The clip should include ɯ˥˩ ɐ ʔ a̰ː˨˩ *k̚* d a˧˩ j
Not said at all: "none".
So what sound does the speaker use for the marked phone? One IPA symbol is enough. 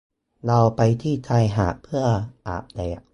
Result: p̚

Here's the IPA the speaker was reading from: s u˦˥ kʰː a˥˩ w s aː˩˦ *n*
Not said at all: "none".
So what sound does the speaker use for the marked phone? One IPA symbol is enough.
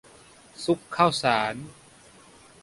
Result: n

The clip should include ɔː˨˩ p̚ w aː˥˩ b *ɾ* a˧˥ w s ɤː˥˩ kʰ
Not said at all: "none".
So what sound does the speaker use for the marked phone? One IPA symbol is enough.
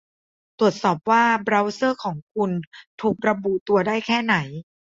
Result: ɾ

